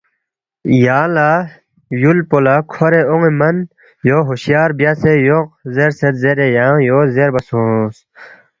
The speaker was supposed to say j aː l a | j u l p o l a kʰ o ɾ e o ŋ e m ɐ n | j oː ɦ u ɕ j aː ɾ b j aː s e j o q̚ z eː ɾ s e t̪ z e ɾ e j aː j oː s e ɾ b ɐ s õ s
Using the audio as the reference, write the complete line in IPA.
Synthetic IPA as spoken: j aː l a | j u l p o l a kʰ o ɾ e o ŋ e m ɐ n | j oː ɦ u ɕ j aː ɾ b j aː s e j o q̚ z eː ɾ s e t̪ z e ɾ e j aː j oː z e ɾ b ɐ s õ s